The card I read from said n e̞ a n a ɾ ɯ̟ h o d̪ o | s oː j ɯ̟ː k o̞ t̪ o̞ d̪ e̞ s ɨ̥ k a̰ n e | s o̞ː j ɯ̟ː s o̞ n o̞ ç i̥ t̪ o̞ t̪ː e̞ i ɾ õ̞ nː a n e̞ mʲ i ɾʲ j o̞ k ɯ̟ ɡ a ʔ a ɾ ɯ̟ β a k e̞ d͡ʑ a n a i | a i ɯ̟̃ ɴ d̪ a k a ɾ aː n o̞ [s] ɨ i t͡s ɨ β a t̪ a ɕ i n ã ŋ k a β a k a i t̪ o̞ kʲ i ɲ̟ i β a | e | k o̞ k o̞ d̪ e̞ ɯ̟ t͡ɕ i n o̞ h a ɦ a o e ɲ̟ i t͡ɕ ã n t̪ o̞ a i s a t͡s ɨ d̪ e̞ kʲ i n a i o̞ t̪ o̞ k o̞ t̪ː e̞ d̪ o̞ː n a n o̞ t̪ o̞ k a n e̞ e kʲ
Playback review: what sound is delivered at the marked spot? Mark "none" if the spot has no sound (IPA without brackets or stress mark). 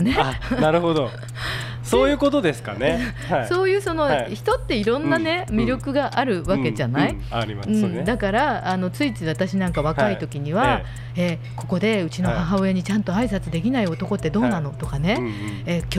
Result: t͡s